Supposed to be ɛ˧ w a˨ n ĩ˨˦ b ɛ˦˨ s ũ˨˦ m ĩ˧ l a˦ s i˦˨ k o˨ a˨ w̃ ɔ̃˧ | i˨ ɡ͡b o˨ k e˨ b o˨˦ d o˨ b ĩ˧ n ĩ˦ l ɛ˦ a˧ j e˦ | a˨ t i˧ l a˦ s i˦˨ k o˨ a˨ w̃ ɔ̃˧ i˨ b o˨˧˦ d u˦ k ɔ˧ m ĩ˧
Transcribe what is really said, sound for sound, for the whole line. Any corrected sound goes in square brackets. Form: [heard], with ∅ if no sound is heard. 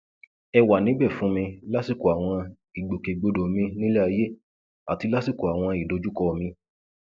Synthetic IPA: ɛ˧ w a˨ n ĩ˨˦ b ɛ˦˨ [f] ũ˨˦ m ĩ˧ l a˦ s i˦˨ k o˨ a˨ w̃ ɔ̃˧ | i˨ ɡ͡b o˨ k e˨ [ɡ͡b] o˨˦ d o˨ [m] ĩ˧ n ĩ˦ l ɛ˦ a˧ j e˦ | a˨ t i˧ l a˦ s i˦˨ k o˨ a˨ w̃ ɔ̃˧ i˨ [d] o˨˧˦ [d͡ʒ] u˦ k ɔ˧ m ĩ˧